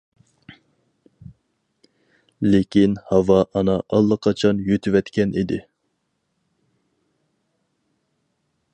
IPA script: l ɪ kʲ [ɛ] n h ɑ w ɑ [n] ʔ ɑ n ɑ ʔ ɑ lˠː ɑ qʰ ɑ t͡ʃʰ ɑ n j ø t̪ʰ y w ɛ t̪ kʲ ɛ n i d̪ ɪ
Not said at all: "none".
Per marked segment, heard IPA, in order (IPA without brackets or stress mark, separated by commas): i, none